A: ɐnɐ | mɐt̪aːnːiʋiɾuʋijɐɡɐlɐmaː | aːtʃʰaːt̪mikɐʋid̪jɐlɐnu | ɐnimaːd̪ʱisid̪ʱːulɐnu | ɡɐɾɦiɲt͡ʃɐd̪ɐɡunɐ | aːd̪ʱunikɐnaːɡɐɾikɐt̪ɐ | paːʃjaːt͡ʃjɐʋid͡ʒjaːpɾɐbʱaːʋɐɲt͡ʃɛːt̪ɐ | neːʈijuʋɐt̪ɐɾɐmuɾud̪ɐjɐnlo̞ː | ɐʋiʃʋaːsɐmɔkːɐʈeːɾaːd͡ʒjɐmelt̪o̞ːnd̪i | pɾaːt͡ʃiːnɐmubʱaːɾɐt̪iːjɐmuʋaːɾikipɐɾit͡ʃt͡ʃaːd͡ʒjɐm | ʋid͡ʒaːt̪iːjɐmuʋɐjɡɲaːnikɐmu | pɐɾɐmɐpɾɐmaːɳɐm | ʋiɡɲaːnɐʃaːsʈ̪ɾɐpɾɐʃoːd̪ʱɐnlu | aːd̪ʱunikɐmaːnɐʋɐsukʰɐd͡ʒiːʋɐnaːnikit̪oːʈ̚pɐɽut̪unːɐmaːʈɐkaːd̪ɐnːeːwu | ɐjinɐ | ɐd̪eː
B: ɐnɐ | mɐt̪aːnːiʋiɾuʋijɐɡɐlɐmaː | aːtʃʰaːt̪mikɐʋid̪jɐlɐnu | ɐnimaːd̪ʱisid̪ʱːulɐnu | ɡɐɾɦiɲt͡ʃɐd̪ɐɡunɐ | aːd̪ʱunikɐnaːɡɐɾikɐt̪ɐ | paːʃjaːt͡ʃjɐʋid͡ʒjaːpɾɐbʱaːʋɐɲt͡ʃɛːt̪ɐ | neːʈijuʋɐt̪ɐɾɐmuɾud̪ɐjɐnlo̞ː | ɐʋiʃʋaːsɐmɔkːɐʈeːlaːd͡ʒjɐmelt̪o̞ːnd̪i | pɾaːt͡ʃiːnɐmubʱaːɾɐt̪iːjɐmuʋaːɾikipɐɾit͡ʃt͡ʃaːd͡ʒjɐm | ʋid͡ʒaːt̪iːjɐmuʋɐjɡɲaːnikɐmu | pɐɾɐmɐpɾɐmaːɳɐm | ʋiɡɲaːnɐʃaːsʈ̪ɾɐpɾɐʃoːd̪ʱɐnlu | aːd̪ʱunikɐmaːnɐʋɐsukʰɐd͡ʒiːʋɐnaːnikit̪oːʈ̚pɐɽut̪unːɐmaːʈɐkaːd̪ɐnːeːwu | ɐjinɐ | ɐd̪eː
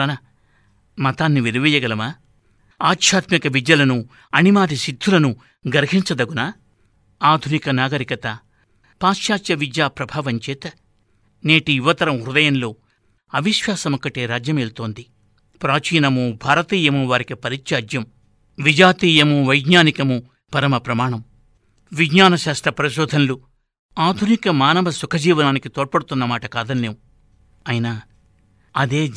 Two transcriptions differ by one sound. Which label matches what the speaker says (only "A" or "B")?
A